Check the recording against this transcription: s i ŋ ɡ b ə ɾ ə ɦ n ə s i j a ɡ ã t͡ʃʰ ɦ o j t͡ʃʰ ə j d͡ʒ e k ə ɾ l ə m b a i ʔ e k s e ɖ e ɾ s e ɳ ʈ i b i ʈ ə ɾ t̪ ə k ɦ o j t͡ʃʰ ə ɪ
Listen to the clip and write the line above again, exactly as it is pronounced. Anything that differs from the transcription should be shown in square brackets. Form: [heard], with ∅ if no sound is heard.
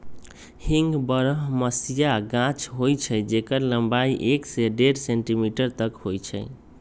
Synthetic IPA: [h] i ŋ ɡ b ə ɾ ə ɦ [m] ə s i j a ɡ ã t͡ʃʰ ɦ o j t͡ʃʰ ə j d͡ʒ e k ə ɾ l ə m b a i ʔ e k s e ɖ e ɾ s e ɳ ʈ i [m] i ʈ ə ɾ t̪ ə k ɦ o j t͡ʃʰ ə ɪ